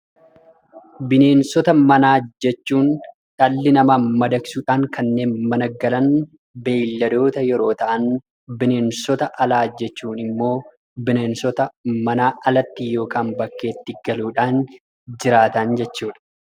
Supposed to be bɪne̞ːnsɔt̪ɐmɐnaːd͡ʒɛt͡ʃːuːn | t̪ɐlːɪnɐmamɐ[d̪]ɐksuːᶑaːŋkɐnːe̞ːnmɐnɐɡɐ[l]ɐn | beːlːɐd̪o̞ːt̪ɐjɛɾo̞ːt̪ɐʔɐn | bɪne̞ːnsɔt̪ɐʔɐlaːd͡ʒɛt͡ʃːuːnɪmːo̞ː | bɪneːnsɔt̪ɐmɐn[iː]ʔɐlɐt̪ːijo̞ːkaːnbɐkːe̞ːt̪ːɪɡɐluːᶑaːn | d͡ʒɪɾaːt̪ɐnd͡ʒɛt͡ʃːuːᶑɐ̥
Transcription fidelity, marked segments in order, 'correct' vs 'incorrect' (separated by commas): correct, correct, incorrect